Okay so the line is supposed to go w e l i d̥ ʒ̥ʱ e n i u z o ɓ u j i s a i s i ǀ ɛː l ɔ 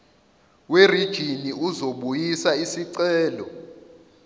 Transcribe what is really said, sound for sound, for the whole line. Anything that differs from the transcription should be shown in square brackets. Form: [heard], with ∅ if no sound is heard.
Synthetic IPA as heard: w e [r] i d̥ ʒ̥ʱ [i] n i u z o ɓ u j i s a i s i ǀ ɛː l ɔ